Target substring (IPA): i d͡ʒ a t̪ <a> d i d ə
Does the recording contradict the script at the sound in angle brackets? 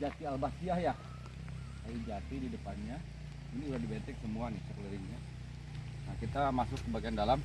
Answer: yes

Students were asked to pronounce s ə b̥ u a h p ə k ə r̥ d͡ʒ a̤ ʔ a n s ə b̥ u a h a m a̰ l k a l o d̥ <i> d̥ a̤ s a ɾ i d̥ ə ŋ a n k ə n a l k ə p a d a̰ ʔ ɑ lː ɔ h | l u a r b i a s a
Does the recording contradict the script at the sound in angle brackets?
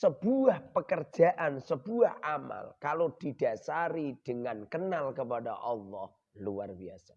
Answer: no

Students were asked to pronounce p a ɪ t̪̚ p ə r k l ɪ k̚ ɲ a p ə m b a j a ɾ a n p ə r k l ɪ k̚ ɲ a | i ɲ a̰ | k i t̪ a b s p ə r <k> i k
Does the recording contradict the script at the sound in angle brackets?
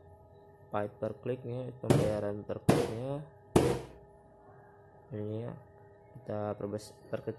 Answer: no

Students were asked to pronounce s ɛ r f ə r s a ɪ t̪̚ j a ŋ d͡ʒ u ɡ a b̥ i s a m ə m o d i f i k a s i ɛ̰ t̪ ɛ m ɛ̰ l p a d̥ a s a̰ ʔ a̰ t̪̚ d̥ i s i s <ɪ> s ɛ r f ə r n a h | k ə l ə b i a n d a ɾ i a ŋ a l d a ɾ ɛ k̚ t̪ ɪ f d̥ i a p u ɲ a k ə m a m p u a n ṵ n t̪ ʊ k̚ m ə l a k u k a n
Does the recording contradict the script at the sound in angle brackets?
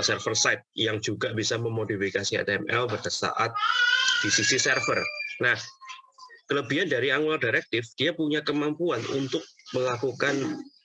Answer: yes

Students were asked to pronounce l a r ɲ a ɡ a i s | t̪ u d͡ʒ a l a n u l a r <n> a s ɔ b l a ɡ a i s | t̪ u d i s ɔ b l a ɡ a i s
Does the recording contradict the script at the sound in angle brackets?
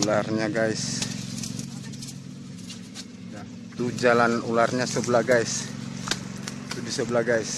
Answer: yes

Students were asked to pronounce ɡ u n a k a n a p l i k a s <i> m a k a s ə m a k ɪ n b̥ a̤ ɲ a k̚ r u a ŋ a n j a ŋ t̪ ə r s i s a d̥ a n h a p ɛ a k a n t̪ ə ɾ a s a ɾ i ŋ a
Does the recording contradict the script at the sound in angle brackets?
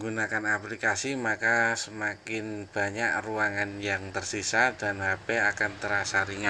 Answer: no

